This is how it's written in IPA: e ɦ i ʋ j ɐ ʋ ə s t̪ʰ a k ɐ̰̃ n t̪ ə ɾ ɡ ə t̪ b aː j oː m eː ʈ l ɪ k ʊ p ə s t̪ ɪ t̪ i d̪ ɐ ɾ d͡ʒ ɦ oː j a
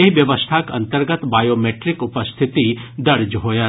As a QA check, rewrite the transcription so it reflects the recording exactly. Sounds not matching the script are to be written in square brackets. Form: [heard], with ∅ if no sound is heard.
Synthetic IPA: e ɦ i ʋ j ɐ ʋ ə s t̪ʰ a k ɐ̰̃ n t̪ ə ɾ ɡ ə t̪ b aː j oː m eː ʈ [ɾ] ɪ k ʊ p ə s [t̪ʰ] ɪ t̪ i d̪ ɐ ɾ d͡ʒ ɦ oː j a